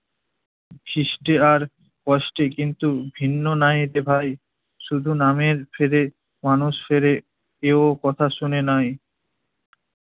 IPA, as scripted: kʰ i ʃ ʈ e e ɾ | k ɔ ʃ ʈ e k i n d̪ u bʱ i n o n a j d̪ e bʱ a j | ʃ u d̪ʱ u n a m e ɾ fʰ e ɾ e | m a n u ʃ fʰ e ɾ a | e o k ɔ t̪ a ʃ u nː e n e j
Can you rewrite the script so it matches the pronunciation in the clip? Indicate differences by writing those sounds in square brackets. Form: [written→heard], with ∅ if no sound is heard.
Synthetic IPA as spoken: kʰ i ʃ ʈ e [e→a] ɾ | k ɔ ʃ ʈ e k i n [d̪→t̪] u bʱ i [n→nː] o n a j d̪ e bʱ a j | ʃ u d̪ʱ u n a m e ɾ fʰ e ɾ e | m a n u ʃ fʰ e ɾ [a→e] | e o k ɔ [t̪→t̪ʰ] a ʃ u [nː→n] e n [e→a] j